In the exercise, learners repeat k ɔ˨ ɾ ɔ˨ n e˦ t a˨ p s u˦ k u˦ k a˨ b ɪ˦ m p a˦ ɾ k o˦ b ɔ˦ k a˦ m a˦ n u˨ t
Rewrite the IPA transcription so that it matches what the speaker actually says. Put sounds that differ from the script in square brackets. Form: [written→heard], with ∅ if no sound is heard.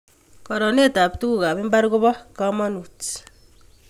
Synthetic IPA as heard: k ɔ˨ ɾ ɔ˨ n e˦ t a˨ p [s→t] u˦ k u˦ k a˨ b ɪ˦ m [p→b] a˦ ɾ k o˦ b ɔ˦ k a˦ m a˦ n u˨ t